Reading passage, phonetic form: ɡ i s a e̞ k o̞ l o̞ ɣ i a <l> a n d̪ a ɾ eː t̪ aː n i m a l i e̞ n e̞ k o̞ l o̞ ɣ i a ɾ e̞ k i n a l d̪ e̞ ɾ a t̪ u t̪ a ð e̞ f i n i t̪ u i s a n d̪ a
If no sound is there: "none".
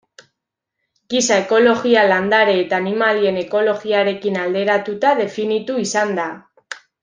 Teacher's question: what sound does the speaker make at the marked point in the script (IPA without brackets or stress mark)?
l